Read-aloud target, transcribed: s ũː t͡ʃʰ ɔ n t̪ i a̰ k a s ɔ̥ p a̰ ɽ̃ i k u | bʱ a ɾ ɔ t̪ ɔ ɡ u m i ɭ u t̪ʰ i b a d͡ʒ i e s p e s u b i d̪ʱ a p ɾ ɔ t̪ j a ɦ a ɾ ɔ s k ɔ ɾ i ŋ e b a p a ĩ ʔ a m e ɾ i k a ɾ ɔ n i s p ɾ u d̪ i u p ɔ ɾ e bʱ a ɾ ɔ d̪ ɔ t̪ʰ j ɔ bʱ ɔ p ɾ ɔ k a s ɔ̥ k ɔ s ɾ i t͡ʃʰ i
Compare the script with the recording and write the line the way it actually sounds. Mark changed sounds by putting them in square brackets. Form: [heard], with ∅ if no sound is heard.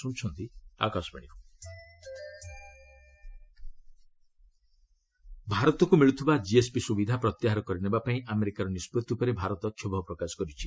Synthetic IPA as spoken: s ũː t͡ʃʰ ɔ n t̪ i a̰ k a s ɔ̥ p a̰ ɽ̃ i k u | bʱ a ɾ ɔ t̪ ɔ [k] u m i ɭ u t̪ʰ i b a d͡ʒ i e s p [i] s u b i d̪ʱ a p ɾ ɔ t̪ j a ɦ a ɾ ɔ [∅] k ɔ ɾ i [n] e b a p a ĩ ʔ a m e ɾ i k a ɾ ɔ n i s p ɾ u [t̪] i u p ɔ ɾ e bʱ a ɾ ɔ [t̪] ɔ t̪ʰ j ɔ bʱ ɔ p ɾ ɔ k a s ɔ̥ k ɔ [∅] ɾ i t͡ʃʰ i

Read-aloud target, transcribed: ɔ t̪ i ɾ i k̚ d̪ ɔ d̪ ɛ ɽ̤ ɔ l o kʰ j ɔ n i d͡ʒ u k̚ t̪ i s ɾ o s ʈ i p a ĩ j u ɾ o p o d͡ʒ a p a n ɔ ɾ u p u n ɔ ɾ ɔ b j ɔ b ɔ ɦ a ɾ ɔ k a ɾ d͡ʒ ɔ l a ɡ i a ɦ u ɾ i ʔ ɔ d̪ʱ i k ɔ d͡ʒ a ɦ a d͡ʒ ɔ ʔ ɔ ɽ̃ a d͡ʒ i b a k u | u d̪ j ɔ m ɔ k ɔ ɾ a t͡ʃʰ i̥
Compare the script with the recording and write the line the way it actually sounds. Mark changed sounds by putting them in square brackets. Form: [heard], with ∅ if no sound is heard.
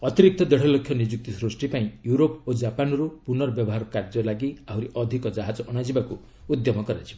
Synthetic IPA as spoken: ɔ t̪ i ɾ i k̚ [t̪] ɔ d̪ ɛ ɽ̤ ɔ l o kʰ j ɔ n i d͡ʒ u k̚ t̪ i s ɾ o s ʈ i p a ĩ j u ɾ o p o d͡ʒ a p a n ɔ ɾ u p u n ɔ ɾ ɔ b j ɔ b ɔ ɦ a ɾ ɔ k a ɾ d͡ʒ ɔ l a ɡ i a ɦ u ɾ i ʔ ɔ d̪ʱ i k ɔ d͡ʒ a ɦ a d͡ʒ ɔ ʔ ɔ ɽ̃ a d͡ʒ i b a k u | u d̪ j ɔ m ɔ k ɔ ɾ a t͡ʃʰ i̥

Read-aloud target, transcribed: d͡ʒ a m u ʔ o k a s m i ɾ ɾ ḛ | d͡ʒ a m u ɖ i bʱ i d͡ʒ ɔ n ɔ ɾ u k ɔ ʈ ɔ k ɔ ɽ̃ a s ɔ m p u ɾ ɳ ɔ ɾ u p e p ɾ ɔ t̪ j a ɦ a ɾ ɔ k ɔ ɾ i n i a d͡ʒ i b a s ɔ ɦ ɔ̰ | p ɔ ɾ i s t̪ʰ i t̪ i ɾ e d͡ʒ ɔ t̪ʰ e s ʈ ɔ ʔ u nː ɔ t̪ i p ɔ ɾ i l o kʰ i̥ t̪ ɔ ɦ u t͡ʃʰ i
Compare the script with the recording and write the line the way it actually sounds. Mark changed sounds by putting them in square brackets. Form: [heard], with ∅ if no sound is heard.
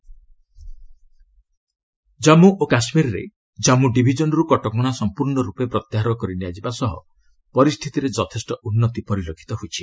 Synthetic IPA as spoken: d͡ʒ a m u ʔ o k a s m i ɾ ɾ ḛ | d͡ʒ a m u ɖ i bʱ i d͡ʒ ɔ n ɔ ɾ u k ɔ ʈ ɔ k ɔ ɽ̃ a s ɔ m p u ɾ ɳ ɔ ɾ u p e p ɾ ɔ t̪ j a ɦ a ɾ ɔ k ɔ ɾ i n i a d͡ʒ i b a s ɔ ɦ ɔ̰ | p ɔ ɾ i s t̪ʰ i t̪ i ɾ e d͡ʒ ɔ t̪ʰ e s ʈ ɔ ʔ u nː ɔ t̪ i p ɔ ɾ i l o kʰ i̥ t̪ ɔ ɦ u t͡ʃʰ i

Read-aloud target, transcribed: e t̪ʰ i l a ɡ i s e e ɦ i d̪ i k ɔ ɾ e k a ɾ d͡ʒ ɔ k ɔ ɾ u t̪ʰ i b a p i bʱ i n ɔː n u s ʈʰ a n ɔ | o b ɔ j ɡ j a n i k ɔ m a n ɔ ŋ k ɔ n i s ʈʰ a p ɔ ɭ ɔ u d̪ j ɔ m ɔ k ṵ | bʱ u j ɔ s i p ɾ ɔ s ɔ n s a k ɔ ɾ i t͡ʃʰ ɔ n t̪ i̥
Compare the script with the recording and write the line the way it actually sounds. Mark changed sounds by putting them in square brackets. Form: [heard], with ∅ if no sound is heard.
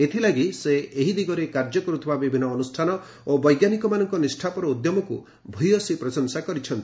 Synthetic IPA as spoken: e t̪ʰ i l a ɡ i s e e ɦ i d̪ i [ɡ] ɔ ɾ e k a ɾ d͡ʒ ɔ k ɔ ɾ u t̪ʰ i b a [b] i bʱ i n ɔː n u s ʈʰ a n ɔ | o b ɔ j ɡ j a n i k ɔ m a n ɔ ŋ k ɔ n i s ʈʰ a p ɔ [ɾ] ɔ u d̪ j ɔ m ɔ k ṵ | bʱ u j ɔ s i p ɾ ɔ s ɔ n s a k ɔ ɾ i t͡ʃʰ ɔ n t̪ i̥

